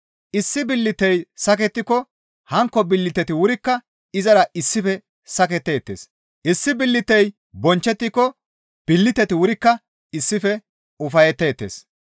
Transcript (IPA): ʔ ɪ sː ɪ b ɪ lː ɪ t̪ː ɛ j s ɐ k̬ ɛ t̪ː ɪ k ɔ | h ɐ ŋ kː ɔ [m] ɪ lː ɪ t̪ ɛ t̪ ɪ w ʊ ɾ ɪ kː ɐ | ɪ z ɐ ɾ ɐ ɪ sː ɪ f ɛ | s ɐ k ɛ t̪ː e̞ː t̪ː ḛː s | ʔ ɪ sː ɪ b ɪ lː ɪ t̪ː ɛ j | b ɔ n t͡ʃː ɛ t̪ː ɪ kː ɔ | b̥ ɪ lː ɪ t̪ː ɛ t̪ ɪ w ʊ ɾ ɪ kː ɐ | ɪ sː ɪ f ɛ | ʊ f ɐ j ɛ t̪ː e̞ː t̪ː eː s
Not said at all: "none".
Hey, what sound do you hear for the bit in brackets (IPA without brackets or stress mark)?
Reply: b